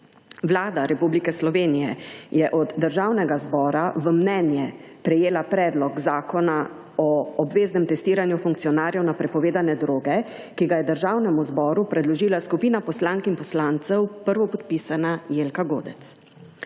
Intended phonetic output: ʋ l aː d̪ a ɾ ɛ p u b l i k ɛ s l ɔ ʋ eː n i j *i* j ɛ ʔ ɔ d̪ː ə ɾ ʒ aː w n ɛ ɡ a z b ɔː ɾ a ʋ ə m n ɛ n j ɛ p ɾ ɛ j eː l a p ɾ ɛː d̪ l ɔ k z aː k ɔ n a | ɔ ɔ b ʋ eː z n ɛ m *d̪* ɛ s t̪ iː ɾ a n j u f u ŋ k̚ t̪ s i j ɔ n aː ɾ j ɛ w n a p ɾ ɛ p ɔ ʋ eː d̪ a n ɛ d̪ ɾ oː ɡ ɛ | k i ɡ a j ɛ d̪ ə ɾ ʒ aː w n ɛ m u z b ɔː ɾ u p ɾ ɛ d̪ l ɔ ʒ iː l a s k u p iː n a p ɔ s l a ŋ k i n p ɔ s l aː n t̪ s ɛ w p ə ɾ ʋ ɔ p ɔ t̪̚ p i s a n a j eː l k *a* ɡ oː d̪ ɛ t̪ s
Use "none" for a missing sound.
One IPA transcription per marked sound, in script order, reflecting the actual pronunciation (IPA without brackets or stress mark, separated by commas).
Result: ɛ, t̪, a